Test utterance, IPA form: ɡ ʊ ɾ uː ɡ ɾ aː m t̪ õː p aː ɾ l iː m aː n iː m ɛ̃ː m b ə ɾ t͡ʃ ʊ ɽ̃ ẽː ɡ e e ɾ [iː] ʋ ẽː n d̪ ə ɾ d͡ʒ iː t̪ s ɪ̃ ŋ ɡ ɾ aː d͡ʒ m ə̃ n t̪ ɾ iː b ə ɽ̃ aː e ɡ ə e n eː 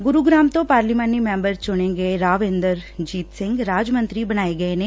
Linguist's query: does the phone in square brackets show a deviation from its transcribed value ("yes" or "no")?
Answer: yes